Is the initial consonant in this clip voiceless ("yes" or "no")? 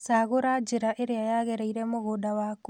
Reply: yes